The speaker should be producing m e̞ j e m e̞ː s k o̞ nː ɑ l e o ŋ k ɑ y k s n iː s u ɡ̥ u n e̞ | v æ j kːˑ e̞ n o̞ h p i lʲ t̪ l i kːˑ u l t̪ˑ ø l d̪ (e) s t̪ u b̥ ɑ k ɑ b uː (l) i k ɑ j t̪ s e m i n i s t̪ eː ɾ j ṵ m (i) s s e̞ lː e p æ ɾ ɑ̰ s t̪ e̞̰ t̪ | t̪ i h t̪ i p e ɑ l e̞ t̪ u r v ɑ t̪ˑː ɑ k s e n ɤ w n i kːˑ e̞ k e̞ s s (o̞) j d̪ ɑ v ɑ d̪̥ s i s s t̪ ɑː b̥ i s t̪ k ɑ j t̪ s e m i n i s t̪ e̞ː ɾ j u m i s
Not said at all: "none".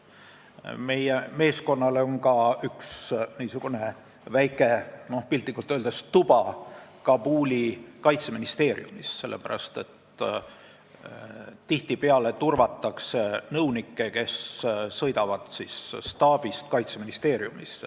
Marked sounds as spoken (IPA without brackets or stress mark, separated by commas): e, l, i, ɤ̞